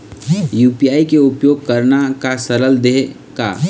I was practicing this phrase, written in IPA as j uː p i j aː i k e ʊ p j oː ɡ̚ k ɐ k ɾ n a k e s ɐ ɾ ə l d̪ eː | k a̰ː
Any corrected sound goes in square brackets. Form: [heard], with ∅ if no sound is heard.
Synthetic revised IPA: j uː p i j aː i k e ʊ p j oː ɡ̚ k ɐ [∅] ɾ n a k [a] s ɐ ɾ ə l d̪ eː | k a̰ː